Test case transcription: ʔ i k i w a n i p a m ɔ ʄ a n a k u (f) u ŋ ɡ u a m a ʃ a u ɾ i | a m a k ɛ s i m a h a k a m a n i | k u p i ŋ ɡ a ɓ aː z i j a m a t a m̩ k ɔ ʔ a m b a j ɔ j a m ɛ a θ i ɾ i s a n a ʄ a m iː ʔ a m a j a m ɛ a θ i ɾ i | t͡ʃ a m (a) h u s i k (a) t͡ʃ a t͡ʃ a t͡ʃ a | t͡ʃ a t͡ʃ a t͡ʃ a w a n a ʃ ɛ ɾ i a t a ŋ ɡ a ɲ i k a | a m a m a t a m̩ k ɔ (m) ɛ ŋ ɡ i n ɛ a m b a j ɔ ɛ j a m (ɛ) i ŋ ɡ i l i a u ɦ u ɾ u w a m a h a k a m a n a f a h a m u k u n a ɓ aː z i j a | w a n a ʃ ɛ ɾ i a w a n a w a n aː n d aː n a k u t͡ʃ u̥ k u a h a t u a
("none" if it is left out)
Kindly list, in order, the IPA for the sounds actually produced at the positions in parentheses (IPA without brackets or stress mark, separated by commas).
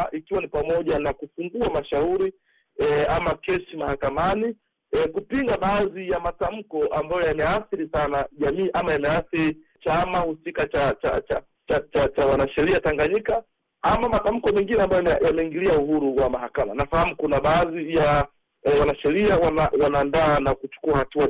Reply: f, a, a, m, ɛ